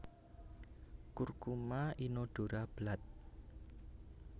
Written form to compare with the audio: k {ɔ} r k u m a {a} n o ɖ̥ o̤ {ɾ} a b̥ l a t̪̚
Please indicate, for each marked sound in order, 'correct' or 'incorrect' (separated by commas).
incorrect, incorrect, correct